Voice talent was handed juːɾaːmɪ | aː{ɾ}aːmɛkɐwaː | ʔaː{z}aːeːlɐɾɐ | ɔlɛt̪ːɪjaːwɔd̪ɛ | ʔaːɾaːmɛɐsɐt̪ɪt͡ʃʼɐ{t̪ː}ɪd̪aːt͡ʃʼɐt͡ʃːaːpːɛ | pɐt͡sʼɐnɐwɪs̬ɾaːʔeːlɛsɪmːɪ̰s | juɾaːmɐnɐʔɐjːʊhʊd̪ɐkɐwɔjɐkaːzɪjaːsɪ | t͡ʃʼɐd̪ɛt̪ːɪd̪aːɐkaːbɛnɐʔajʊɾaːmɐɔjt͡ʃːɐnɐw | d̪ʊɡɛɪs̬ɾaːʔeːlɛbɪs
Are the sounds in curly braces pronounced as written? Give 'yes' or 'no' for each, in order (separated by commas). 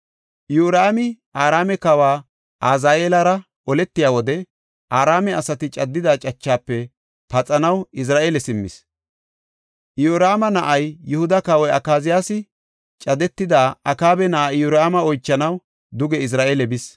yes, yes, no